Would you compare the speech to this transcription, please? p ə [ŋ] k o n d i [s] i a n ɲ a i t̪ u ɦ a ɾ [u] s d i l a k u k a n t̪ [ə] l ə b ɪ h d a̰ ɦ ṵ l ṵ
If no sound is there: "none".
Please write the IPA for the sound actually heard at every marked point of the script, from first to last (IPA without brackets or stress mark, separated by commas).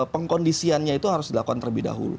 ŋ, s, ʊ, ə